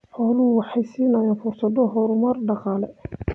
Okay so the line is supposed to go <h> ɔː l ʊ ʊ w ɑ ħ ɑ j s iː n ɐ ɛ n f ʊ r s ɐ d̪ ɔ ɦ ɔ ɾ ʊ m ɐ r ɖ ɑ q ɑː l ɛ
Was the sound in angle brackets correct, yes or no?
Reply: no